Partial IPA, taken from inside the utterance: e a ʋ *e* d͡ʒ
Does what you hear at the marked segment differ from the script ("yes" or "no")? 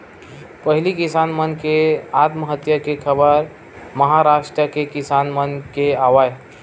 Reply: yes